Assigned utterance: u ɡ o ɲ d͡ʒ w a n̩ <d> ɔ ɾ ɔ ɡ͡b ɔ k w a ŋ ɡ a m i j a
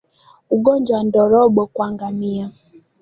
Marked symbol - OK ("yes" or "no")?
yes